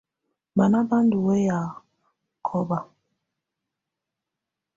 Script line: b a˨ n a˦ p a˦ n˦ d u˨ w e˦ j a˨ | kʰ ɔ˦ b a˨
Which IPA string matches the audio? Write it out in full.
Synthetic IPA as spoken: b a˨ n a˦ b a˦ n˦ d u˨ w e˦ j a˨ | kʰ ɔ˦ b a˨